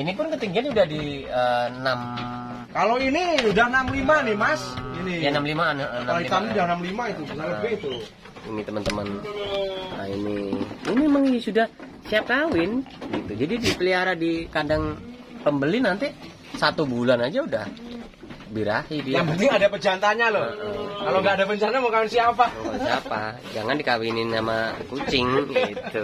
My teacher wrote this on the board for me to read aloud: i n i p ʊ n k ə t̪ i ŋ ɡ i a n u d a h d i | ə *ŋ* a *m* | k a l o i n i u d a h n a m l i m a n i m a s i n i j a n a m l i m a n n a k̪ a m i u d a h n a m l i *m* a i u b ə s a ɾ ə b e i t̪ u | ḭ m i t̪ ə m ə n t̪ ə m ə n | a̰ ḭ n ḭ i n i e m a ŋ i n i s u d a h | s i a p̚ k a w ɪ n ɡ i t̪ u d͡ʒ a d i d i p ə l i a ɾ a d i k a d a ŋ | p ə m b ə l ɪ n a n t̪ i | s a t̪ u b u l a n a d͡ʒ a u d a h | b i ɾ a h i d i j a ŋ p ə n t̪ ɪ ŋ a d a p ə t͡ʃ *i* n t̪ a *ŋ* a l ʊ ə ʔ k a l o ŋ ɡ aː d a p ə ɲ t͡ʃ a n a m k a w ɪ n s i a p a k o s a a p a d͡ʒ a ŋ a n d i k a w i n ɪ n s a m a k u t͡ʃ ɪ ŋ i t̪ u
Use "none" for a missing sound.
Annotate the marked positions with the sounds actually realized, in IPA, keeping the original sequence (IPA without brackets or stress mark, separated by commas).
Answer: n, m, m, a, ɲ